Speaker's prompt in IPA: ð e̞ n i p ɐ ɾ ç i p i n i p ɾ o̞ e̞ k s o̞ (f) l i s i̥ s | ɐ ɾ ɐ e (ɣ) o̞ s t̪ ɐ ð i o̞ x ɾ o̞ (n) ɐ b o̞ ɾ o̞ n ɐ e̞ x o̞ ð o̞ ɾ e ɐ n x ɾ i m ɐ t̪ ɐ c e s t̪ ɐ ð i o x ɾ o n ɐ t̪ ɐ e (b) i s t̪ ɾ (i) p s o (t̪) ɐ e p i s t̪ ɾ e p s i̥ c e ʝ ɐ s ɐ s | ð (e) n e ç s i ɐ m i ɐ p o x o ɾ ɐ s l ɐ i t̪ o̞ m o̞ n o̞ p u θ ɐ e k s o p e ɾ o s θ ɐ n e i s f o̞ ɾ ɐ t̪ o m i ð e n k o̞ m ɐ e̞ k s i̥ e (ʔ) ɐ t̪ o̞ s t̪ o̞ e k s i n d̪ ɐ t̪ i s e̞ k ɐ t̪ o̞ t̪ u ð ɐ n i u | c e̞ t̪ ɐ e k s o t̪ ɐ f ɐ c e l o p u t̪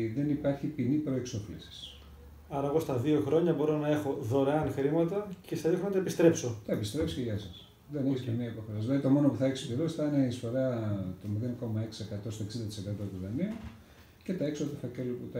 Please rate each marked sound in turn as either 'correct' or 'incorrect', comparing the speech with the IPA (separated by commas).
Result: correct, correct, incorrect, incorrect, incorrect, correct, correct, incorrect